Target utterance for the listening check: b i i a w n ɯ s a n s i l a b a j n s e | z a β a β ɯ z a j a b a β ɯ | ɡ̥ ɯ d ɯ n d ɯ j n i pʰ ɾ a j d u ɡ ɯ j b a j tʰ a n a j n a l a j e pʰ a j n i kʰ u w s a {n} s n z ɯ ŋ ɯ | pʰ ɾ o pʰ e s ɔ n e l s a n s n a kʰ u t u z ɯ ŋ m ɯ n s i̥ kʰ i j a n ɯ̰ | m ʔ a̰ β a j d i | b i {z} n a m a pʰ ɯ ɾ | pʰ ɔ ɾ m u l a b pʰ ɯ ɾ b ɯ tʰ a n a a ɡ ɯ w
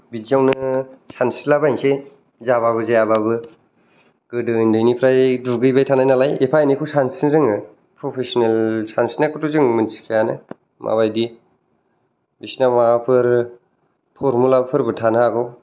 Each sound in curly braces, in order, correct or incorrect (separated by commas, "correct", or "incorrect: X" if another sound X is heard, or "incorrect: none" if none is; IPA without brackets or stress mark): correct, incorrect: s